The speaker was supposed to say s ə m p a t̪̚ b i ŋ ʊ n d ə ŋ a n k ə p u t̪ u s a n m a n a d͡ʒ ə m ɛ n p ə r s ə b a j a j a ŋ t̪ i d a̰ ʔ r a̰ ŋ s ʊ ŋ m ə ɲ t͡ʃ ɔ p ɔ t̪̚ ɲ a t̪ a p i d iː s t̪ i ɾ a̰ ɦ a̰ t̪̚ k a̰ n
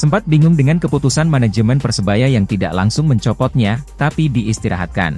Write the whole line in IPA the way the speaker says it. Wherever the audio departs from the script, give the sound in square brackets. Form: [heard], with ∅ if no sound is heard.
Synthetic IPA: s ə m p a t̪̚ b i ŋ ʊ [ŋ] d ə ŋ a n k ə p u t̪ u s a n m a n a d͡ʒ ə m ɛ n p ə r s ə b a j a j a ŋ t̪ i d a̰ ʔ [l] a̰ ŋ s ʊ ŋ m ə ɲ t͡ʃ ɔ p ɔ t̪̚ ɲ a t̪ a p i d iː s t̪ i ɾ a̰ ɦ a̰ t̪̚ k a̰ n